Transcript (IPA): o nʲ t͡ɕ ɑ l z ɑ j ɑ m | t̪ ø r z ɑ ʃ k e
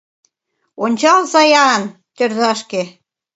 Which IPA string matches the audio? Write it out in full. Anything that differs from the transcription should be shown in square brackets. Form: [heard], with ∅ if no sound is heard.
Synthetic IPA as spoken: o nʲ t͡ɕ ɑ l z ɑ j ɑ [n] | t̪ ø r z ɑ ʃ k e